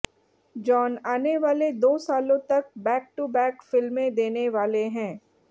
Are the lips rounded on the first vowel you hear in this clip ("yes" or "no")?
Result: yes